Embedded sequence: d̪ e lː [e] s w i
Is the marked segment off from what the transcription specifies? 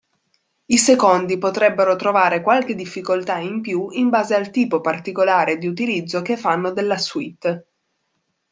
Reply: yes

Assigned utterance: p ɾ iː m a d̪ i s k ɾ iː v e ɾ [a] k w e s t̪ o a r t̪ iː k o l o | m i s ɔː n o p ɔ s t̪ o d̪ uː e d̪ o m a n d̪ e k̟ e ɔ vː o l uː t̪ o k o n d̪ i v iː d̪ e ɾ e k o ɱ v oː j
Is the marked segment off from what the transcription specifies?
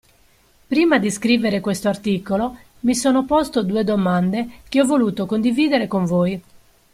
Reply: yes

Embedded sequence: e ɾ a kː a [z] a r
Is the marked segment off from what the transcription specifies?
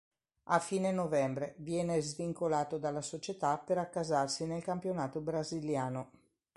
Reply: no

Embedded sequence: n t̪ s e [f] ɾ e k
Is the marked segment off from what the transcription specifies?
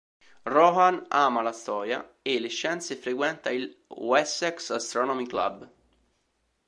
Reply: no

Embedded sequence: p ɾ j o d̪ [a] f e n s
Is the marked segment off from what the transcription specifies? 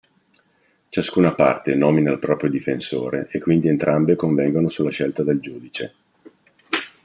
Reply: yes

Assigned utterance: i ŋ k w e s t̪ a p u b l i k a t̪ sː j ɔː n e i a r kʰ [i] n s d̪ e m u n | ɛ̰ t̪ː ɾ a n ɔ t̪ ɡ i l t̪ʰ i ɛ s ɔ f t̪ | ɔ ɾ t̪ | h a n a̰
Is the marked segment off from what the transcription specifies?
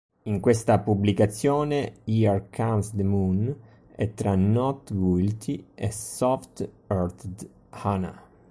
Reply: yes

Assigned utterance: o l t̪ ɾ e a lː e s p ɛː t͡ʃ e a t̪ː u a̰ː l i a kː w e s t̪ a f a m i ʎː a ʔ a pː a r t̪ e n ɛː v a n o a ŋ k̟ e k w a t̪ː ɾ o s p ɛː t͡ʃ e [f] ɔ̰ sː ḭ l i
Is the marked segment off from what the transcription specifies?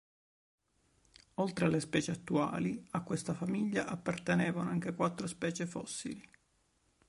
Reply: no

